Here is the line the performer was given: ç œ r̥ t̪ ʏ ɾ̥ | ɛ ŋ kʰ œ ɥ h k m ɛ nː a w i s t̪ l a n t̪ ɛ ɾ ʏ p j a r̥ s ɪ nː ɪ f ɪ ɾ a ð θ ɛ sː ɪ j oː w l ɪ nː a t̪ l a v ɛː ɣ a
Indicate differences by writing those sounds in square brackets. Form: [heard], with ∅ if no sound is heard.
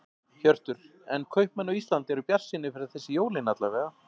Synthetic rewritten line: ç œ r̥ t̪ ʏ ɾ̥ | ɛ [n] kʰ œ ɥ h [p] m ɛ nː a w i s t̪ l a n t̪ ɛ ɾ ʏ p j a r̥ s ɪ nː ɪ f ɪ ɾ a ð θ ɛ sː ɪ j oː w l ɪ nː a t̪ l a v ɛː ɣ a